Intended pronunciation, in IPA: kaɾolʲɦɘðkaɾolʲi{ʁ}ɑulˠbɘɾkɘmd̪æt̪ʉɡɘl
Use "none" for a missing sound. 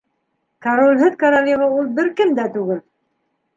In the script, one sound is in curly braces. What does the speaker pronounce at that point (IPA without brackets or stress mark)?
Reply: ʁ